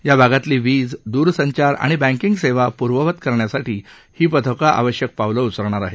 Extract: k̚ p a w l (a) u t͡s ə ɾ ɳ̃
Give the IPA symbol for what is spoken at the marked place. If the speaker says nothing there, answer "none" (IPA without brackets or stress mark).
ə